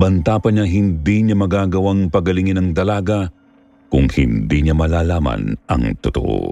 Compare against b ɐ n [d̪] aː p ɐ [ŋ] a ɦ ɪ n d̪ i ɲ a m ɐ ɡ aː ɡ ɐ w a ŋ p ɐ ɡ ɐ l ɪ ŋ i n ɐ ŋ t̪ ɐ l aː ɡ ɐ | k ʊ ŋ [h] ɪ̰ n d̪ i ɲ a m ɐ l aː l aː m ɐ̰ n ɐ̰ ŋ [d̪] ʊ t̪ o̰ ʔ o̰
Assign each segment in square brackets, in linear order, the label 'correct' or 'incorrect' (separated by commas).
incorrect, incorrect, correct, incorrect